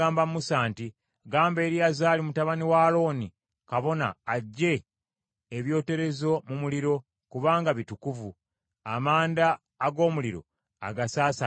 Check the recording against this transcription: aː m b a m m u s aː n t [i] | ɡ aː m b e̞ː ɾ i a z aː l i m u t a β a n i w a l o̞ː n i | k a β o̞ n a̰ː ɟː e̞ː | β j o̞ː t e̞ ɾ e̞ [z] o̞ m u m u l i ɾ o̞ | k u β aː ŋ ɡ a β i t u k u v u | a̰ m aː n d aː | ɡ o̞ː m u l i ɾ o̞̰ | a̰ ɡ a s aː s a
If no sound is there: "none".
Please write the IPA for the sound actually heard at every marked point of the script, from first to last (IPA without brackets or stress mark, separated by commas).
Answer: i, z